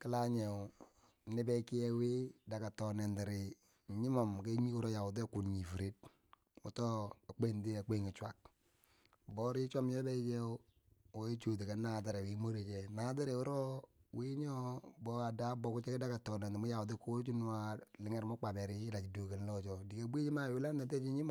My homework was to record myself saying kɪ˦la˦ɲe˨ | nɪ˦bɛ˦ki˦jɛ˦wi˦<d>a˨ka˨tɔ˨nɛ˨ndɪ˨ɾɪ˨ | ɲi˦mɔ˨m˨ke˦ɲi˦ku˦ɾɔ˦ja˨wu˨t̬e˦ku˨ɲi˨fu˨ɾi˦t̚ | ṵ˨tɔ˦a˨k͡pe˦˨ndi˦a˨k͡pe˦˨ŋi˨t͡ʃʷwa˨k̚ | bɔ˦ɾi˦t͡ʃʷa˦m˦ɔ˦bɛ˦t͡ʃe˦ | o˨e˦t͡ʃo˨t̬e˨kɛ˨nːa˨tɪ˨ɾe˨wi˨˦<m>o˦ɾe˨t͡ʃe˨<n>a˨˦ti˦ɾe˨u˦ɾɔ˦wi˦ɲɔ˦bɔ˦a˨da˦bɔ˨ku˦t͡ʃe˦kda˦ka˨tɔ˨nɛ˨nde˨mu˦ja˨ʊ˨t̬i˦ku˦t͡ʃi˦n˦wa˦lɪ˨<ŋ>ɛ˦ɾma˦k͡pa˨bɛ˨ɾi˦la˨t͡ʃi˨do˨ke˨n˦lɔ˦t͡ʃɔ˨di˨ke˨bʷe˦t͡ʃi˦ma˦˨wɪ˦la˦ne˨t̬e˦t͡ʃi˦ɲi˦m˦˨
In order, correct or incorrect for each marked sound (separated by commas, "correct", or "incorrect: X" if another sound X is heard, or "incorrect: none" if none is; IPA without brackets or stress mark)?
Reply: correct, correct, correct, correct